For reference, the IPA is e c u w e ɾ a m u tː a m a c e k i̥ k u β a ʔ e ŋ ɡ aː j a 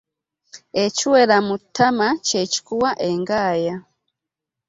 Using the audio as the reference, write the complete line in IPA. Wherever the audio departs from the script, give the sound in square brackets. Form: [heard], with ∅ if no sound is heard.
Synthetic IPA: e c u w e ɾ a m u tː a m a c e [c] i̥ k u [w] a ʔ e ŋ ɡ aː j a